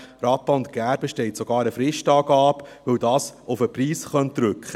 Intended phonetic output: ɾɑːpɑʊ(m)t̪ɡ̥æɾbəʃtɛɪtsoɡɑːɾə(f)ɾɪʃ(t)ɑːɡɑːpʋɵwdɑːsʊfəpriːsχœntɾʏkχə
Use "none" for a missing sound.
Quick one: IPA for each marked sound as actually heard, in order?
n, f, t

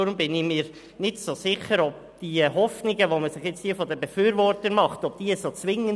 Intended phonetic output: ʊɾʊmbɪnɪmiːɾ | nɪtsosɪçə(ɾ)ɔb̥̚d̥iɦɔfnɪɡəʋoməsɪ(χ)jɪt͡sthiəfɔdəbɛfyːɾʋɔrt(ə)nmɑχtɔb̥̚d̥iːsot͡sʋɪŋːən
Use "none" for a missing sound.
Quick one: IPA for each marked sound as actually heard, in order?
ɾ, χ, ə

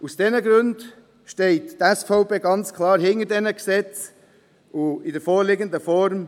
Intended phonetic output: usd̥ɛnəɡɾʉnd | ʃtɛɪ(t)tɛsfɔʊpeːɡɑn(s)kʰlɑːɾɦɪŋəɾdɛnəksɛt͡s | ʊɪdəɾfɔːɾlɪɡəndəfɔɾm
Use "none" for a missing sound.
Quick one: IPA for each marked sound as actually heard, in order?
t, t͡s

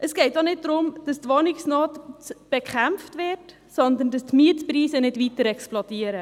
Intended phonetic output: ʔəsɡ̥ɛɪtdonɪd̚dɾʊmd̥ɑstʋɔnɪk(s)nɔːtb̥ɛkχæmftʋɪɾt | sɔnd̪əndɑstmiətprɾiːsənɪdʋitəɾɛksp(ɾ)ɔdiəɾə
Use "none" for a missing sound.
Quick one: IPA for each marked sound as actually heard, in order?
s, l

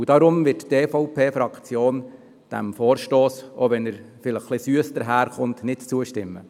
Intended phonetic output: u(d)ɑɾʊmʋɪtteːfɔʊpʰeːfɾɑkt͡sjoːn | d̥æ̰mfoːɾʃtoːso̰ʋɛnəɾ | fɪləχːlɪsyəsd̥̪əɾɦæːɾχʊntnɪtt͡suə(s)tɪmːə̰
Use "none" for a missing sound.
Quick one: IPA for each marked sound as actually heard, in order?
d, ʃ

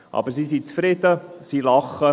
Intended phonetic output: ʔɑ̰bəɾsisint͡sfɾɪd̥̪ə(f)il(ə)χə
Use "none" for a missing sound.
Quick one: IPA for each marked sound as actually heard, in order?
s, ɑ

